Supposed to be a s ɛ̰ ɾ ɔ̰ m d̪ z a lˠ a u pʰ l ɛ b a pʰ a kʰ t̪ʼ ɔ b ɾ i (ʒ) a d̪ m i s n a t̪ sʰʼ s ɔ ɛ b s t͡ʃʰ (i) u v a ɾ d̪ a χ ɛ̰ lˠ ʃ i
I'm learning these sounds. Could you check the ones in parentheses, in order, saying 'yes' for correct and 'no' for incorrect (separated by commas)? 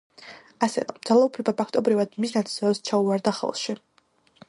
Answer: no, no